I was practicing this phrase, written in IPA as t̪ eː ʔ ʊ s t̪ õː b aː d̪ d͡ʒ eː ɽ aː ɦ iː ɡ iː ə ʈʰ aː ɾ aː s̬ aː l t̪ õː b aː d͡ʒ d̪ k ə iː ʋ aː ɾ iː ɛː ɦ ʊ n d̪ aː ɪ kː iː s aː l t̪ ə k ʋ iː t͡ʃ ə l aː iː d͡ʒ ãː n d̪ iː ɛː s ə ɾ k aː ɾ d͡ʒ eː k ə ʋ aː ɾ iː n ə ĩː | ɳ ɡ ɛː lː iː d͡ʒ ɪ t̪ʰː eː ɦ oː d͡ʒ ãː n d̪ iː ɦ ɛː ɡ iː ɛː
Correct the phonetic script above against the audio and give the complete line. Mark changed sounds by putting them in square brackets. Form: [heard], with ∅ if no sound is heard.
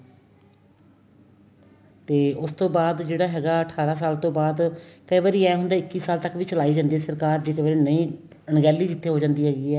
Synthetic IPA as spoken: t̪ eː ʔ ʊ s t̪ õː b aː d̪ d͡ʒ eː ɽ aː ɦ [ɛː] ɡ [aː] ə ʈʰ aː ɾ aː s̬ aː l t̪ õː b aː [∅] d̪ k ə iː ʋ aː ɾ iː ɛː ɦ ʊ n d̪ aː ɪ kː iː s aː l t̪ ə k ʋ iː t͡ʃ ə l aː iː d͡ʒ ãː n d̪ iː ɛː s ə ɾ k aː ɾ d͡ʒ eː k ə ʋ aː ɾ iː n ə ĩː | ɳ ɡ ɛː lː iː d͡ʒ ɪ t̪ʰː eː ɦ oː d͡ʒ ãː n d̪ iː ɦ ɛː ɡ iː ɛː